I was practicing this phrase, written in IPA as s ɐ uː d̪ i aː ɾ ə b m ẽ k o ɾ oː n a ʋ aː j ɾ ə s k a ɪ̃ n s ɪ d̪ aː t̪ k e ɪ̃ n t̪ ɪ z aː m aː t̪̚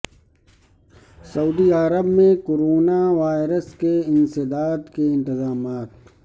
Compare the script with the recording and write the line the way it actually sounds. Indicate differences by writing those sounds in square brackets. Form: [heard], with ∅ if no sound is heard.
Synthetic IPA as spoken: s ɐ uː d̪ i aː ɾ ə b m ẽ k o ɾ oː n a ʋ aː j ɾ ə s k [e] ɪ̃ n s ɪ d̪ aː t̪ k e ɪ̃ n t̪ ɪ z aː m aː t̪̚